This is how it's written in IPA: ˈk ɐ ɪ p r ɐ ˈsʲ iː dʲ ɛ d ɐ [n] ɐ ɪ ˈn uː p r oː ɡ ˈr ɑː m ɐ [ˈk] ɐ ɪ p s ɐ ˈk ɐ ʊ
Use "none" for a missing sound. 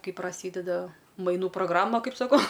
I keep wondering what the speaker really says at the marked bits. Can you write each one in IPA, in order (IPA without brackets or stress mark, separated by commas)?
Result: m, k